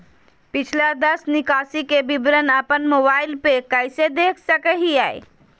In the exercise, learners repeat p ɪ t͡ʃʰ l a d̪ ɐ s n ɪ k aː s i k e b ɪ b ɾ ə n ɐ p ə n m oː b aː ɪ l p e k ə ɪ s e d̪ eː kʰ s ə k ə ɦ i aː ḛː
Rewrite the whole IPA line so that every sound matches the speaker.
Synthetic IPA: p ɪ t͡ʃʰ l a d̪ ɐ s n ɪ k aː s i k e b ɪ b ɾ ə n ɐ p ə n m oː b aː ɪ l p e k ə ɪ s e d̪ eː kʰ s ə k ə ɦ i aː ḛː